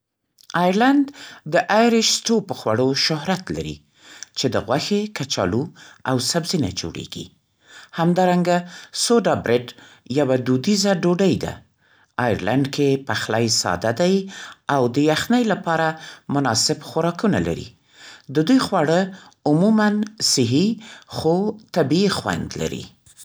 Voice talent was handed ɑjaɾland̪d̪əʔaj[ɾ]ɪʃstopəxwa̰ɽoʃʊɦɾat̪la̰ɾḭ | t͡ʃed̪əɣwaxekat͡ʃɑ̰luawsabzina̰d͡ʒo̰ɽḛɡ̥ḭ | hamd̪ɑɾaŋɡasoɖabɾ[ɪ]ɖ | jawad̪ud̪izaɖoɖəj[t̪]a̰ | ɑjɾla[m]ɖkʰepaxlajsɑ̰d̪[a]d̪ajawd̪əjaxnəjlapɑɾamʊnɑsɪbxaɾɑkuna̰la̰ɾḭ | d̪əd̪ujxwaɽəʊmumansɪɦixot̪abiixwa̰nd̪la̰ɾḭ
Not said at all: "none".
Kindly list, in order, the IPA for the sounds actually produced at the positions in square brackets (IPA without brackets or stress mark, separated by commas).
ɾ, ɪ, d̪, ɳ, a